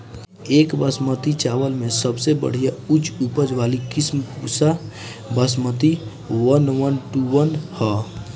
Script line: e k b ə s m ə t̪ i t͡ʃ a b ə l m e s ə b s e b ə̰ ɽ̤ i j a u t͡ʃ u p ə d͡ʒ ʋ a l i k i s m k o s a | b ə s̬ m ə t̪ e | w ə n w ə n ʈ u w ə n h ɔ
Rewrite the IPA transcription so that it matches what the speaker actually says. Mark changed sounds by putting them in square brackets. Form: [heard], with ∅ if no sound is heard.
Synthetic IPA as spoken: e k b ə s m ə t̪ i t͡ʃ a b ə l m e s ə b s e b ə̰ ɽ̤ i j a u t͡ʃ u p ə d͡ʒ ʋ a l i k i s m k [u] s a | b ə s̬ m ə t̪ [i] | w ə n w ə n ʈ u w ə n h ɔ